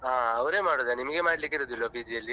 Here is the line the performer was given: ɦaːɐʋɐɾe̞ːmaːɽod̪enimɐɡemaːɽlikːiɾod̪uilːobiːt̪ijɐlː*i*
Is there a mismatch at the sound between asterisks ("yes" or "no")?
no